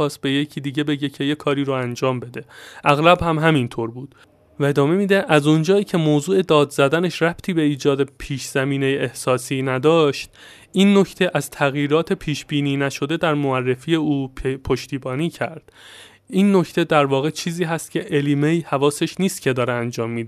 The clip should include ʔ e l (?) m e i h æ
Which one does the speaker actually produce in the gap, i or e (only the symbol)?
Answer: i